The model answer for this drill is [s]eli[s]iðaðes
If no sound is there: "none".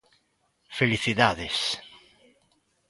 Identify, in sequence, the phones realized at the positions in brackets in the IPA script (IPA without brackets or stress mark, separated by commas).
f, θ